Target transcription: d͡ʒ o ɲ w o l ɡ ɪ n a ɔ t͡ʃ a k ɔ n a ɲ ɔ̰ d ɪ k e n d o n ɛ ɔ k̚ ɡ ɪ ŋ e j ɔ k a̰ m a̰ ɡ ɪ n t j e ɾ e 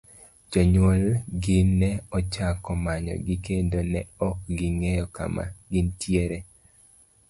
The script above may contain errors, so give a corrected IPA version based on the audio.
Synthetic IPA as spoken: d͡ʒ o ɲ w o l ɡ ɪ n ɛ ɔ t͡ʃ a k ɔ m a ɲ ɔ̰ ɡ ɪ k e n d o n ɛ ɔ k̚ ɡ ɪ ŋ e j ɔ k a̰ m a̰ ɡ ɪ n t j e ɾ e

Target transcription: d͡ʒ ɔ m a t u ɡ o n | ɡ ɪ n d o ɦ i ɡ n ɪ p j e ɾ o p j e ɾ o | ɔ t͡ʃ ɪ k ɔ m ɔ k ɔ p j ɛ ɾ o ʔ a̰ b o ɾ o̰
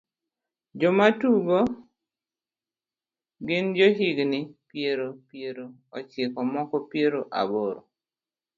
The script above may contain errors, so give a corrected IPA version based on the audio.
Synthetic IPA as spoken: d͡ʒ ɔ m a t u ɡ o | ɡ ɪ n d͡ʒ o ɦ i ɡ n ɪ p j e ɾ o p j e ɾ o | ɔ t͡ʃ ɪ k ɔ m ɔ k ɔ p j e ɾ o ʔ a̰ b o ɾ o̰

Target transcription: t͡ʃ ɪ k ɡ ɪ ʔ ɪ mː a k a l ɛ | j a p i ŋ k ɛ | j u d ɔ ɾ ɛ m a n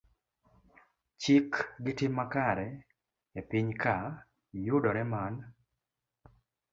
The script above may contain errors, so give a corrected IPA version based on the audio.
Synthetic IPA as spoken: t͡ʃ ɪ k ɡ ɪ t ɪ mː a k a ɾ ɛ | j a p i ɲ k a | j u d ɔ ɾ ɛ m a n

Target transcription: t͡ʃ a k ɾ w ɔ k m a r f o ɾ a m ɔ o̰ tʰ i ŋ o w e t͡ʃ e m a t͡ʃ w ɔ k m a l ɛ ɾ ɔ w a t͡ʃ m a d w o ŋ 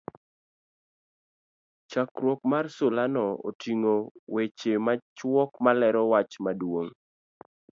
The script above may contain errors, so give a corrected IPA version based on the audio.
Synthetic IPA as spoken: t͡ʃ a k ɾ w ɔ k m a r s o l a n ɔ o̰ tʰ i ŋ o w e t͡ʃ e m a t͡ʃ w ɔ k m a l ɛ ɾ ɔ w a t͡ʃ m a d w o ŋ

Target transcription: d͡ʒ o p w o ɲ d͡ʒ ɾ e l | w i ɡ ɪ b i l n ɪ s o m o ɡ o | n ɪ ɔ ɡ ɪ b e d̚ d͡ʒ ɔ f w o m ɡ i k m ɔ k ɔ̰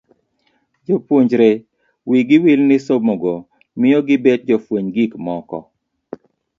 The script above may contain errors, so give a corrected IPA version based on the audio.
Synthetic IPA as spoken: d͡ʒ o p w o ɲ d͡ʒ ɾ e | w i ɡ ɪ w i l n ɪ s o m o ɡ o | m ɪ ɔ ɡ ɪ b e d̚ d͡ʒ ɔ f w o ɲ ɡ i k m ɔ k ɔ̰

